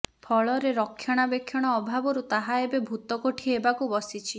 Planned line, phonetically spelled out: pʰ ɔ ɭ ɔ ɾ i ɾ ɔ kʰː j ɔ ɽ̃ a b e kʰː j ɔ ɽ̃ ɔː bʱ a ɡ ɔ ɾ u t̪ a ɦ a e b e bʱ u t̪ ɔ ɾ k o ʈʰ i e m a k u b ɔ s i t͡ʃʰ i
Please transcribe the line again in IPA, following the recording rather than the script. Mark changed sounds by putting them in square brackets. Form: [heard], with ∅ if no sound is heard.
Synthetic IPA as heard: pʰ ɔ ɭ ɔ ɾ [e] ɾ ɔ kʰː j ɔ ɽ̃ a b e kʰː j ɔ ɽ̃ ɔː bʱ a [b] ɔ ɾ u t̪ a ɦ a e b e bʱ u t̪ ɔ [∅] k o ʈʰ i e [b] a k u b ɔ s i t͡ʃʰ i